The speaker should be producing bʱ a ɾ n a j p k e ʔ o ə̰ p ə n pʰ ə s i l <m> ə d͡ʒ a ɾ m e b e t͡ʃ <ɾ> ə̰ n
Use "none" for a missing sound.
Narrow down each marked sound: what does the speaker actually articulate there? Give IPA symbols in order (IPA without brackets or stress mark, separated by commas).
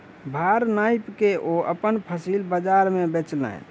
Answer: b, l